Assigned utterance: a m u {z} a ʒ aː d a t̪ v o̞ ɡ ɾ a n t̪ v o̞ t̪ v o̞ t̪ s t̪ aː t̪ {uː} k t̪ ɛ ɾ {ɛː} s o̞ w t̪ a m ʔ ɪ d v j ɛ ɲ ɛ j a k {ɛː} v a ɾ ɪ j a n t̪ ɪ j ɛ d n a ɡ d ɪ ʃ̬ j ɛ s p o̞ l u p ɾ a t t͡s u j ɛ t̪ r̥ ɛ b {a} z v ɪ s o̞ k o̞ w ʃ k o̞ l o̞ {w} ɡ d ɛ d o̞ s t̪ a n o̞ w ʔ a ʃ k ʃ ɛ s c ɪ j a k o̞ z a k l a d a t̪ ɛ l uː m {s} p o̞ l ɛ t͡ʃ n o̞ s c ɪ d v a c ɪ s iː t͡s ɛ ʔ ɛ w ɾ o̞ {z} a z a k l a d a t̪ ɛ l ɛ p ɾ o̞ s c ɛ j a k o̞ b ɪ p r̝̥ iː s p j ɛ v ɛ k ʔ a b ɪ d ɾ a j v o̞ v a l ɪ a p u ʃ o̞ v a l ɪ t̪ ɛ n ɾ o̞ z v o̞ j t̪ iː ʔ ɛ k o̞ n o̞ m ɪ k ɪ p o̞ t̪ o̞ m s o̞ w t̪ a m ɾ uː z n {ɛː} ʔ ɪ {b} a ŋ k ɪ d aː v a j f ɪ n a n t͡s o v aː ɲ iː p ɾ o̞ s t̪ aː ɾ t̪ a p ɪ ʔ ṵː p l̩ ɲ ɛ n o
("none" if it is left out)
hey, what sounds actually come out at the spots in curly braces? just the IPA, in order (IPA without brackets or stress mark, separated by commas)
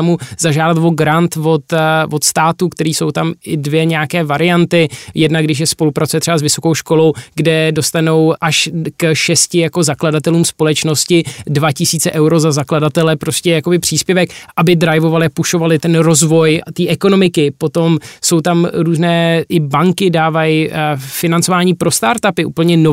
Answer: z, u, iː, ɛː, a, w, s, z, ɛː, b